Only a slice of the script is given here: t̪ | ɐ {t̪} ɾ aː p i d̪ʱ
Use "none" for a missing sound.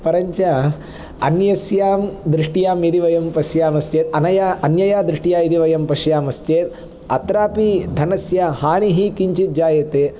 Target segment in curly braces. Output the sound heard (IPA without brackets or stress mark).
t̪